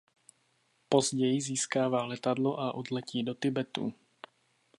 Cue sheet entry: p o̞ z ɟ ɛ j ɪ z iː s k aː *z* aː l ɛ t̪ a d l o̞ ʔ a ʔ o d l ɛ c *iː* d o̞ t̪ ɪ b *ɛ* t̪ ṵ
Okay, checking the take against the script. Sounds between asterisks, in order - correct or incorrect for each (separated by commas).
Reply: incorrect, correct, correct